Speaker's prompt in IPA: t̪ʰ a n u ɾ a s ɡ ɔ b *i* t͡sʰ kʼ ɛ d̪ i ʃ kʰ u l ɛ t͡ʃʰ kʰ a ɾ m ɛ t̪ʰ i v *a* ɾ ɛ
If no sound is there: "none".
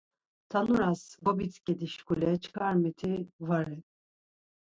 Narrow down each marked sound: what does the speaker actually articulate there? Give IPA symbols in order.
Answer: i, a

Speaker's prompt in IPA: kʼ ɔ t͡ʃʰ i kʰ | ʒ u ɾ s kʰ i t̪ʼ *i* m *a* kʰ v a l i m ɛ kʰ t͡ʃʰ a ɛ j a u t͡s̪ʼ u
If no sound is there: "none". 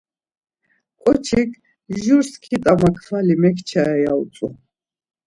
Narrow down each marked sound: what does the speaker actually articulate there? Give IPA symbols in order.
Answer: a, a

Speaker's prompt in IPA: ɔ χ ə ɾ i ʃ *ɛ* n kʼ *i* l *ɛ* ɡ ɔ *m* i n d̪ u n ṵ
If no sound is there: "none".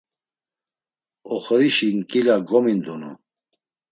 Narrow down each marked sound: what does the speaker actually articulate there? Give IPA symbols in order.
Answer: i, i, a, m

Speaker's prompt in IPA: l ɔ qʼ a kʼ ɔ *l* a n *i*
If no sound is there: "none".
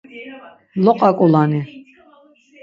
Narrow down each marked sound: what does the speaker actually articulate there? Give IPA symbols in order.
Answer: l, i

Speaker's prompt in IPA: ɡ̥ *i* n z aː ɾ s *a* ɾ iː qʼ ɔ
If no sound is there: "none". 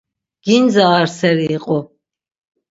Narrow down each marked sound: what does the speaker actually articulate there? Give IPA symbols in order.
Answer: i, ɛ

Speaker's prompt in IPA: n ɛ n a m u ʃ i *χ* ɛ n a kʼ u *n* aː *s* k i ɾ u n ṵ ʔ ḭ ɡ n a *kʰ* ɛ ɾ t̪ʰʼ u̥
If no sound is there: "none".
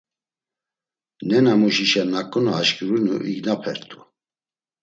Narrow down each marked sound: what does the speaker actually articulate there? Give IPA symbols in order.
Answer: ʃ, n, ʃ, pʰ

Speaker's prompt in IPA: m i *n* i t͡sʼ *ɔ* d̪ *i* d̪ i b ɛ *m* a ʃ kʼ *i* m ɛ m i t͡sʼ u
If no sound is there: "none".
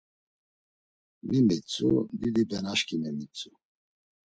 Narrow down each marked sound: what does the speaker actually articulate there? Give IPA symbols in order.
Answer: m, u, i, n, i

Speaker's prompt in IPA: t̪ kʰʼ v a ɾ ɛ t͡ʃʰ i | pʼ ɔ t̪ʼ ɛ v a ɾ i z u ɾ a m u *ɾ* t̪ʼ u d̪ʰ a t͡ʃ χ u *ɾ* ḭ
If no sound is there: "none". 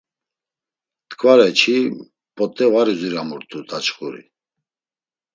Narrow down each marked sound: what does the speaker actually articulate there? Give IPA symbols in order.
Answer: ɾ, ɾ

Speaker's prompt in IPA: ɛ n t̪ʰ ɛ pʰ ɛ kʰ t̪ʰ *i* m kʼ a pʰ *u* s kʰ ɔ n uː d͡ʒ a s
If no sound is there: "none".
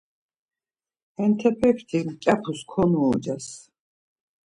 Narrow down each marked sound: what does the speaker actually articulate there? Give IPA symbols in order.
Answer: i, u

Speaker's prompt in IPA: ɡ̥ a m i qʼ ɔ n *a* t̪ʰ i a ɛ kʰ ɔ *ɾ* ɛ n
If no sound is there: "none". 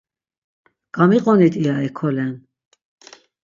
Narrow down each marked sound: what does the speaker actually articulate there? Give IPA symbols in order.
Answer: i, l

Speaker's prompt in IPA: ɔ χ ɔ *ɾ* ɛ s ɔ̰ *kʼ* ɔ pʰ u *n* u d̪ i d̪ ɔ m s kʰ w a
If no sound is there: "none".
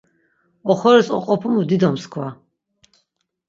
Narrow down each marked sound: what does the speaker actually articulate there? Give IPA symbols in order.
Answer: ɾ, qʼ, m

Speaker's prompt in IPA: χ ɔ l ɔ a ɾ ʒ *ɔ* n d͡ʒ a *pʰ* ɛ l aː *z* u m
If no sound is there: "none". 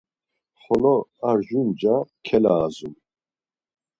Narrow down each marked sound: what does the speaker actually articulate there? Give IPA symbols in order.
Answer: u, kʰ, z

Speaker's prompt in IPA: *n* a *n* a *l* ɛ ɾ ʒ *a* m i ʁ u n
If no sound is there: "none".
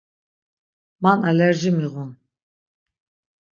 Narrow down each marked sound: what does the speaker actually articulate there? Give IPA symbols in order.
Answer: m, n, l, i

